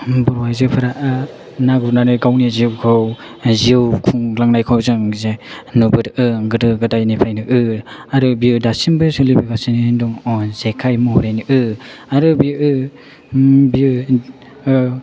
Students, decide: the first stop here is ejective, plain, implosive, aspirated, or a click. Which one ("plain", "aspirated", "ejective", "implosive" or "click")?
plain